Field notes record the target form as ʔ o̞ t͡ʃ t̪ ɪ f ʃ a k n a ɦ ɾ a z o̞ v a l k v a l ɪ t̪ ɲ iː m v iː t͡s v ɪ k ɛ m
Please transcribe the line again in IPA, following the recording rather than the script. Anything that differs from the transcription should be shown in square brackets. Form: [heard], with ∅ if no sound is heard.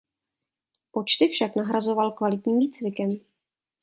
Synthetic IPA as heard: [p] o̞ t͡ʃ t̪ ɪ f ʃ a k n a ɦ ɾ a z o̞ v a l k v a l ɪ t̪ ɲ iː m v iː t͡s v ɪ k ɛ m